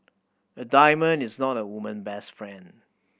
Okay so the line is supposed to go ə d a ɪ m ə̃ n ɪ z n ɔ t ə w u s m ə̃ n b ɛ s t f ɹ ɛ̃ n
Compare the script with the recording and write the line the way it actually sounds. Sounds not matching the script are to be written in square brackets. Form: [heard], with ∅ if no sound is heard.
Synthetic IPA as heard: ə d a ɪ m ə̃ n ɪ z n ɔ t ə w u [∅] m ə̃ n b ɛ s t f ɹ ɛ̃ n